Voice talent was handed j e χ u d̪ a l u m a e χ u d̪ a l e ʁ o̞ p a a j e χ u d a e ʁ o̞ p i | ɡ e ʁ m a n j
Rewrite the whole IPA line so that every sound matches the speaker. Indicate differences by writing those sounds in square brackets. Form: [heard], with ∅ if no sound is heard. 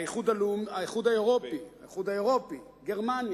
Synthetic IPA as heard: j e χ u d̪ a l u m a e χ u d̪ a [∅] e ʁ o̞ p [i] a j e χ u d a e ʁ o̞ p i | ɡ e ʁ m a n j